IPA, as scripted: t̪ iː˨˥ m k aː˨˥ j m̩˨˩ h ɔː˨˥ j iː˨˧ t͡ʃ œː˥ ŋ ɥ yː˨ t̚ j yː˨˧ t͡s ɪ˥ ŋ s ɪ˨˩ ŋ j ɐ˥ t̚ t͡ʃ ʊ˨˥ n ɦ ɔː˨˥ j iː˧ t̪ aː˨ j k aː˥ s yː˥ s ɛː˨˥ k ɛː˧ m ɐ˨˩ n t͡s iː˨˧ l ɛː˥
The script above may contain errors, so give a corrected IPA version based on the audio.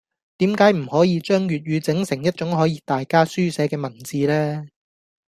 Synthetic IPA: t̪ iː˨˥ m k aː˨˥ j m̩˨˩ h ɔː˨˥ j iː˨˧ t͡ʃ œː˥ ŋ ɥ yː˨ t̚ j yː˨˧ t͡s ɪ˨˥ ŋ s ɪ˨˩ ŋ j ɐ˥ t̚ t͡ʃ ʊ˨˥ ŋ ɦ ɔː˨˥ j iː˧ t̪ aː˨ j k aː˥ s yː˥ s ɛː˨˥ k ɛː˧ m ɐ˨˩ n t͡s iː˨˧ l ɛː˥